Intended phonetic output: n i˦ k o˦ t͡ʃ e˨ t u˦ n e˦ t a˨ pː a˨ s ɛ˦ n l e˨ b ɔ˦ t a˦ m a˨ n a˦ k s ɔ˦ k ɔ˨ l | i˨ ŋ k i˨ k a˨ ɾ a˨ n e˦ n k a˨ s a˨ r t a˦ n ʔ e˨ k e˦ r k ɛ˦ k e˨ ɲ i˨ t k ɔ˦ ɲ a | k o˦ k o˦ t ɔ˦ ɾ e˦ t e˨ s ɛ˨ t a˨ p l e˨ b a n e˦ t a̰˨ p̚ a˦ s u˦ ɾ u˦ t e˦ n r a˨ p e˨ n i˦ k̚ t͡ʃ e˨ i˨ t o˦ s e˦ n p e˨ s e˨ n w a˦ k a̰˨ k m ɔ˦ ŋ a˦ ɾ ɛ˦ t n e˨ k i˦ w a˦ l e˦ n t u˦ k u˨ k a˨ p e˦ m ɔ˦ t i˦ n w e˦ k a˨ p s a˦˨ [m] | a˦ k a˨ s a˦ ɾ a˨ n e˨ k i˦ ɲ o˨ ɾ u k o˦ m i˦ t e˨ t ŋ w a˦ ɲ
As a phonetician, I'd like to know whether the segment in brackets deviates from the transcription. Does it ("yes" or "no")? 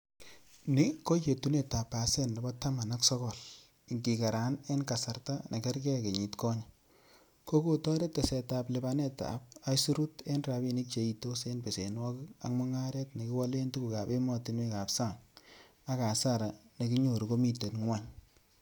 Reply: yes